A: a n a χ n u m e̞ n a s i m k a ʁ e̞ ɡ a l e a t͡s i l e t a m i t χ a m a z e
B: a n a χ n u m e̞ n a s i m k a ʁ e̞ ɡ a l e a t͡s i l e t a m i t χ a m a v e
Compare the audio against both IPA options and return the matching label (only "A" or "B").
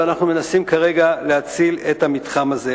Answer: A